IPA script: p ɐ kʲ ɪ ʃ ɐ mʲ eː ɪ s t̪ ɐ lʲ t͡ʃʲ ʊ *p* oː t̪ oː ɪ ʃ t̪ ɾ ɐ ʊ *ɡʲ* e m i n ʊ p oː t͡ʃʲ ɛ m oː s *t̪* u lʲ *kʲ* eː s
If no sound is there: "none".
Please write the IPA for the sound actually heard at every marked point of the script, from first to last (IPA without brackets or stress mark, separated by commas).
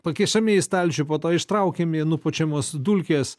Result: p, kʲ, d̪, kʲ